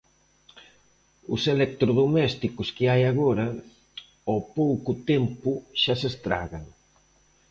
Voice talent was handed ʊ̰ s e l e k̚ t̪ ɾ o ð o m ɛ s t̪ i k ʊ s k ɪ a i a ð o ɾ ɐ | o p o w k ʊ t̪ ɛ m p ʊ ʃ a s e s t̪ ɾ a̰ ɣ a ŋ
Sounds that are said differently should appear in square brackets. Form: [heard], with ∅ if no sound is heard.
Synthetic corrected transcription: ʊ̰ s e l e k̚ t̪ ɾ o ð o m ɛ s t̪ i k ʊ s k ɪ a [j] a [ɣ] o ɾ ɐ | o p o w k ʊ t̪ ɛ m p ʊ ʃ a s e s t̪ ɾ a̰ ɣ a ŋ